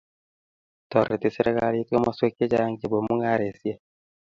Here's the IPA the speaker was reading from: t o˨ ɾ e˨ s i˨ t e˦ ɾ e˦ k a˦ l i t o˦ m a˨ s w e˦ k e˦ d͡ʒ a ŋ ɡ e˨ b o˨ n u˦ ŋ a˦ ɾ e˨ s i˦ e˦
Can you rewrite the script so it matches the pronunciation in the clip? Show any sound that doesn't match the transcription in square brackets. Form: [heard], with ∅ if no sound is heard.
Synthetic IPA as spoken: t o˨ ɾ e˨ [t] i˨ [s] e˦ ɾ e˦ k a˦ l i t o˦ m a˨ s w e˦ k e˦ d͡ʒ a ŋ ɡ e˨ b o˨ [m] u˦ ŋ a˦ ɾ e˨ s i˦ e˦